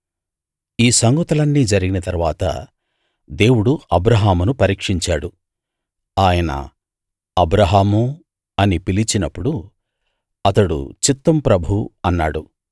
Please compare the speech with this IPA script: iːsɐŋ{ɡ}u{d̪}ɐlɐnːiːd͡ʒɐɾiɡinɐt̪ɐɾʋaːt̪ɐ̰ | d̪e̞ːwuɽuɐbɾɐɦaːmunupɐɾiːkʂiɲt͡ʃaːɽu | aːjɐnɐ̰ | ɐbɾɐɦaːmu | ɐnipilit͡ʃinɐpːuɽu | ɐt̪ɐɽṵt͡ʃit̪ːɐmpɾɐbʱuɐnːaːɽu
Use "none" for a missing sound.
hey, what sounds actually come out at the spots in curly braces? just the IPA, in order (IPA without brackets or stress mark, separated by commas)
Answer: ɡ, t̪